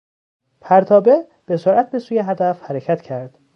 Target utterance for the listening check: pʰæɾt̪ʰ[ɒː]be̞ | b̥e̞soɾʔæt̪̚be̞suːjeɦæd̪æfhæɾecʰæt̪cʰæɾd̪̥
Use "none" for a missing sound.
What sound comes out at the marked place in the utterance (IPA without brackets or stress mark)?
ɒː